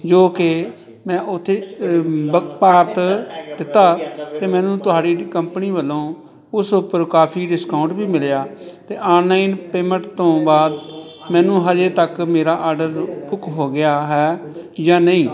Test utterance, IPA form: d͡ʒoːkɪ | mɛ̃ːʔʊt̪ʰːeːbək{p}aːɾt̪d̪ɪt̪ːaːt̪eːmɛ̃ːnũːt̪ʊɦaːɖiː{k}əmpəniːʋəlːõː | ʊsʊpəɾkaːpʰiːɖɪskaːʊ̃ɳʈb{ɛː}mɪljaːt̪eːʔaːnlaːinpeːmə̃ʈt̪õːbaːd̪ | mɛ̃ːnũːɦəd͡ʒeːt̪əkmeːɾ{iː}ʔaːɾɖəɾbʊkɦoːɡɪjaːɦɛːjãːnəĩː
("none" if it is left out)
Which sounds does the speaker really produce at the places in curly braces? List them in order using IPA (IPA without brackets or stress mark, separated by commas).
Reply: p, k, iː, aː